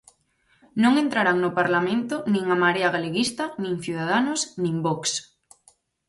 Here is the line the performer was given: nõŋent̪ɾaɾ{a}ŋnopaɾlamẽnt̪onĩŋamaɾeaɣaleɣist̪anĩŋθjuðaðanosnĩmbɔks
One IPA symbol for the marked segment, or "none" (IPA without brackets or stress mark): a